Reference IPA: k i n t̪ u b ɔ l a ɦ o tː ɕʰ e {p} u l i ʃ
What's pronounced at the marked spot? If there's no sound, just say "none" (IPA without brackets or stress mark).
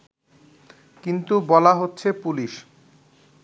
p